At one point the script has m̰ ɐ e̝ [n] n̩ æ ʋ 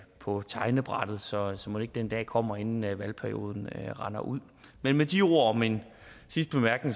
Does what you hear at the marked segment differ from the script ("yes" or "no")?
no